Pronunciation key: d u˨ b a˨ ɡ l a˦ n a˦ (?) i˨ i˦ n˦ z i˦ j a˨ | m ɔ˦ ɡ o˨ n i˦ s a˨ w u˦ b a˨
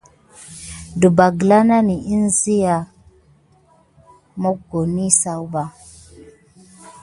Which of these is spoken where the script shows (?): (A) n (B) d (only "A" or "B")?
A